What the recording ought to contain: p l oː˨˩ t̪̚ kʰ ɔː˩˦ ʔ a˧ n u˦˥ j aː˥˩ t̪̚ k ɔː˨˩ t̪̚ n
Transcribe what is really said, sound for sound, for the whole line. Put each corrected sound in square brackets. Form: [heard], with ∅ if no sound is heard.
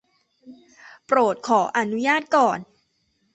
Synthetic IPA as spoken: p [ɾ] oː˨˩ t̪̚ kʰ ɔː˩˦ ʔ a˧ n u˦˥ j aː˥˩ t̪̚ k ɔː˨˩ [∅] n